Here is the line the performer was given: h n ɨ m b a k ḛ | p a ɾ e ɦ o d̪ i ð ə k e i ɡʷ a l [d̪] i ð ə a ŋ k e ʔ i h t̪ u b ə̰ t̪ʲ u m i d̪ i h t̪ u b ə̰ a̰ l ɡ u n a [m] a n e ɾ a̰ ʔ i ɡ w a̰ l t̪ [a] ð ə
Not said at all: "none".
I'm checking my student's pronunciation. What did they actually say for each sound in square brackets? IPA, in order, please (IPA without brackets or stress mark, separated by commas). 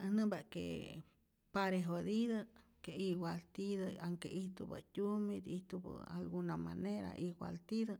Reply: t̪, m, i